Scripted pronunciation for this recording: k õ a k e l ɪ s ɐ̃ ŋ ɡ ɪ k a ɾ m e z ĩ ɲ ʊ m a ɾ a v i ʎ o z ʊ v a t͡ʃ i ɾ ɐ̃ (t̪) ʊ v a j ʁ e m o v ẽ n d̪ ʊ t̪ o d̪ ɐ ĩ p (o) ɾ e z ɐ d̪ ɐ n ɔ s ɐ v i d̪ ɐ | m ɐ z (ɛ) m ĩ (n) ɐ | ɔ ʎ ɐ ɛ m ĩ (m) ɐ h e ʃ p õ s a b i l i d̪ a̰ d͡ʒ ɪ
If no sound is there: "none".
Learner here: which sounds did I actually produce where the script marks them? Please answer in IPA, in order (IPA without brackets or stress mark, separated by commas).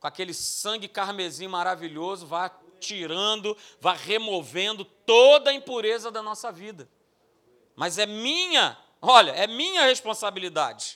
d̪, u, ɛ, ɲ, ɲ